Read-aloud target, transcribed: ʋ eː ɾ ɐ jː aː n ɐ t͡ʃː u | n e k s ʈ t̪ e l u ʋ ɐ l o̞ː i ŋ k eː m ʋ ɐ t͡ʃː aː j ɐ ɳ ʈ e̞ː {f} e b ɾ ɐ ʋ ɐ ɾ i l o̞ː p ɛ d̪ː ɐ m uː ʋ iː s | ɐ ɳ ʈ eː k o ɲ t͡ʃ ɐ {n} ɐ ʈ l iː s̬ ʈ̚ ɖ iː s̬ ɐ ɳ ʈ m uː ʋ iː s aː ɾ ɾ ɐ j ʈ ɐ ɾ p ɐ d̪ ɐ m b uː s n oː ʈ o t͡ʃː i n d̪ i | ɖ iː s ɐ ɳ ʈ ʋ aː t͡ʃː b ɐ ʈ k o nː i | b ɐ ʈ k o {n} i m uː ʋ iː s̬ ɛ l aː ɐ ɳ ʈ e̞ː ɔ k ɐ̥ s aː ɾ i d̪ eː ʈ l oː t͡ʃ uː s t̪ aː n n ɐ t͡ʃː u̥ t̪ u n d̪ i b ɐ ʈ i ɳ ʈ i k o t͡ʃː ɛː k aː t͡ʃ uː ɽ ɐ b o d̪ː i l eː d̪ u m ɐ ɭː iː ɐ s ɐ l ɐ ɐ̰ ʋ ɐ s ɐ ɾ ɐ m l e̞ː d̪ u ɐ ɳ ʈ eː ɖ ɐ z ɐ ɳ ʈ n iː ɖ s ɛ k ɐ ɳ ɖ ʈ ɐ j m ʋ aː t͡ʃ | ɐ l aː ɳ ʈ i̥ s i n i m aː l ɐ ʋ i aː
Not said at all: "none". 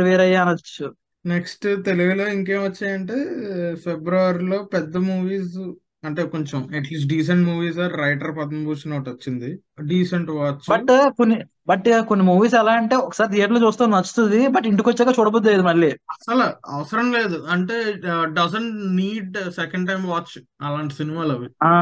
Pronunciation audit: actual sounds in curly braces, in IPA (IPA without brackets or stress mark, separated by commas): f, m, nː